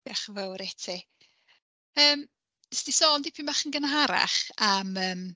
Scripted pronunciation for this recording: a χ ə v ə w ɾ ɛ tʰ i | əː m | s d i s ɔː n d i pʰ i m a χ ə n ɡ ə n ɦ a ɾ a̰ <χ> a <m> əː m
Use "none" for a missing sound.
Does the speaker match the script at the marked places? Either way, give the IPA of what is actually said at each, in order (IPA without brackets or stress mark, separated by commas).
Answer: χ, m